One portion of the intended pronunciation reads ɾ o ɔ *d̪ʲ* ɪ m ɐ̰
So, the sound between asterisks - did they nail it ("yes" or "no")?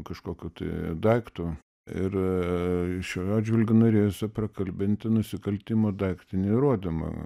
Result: yes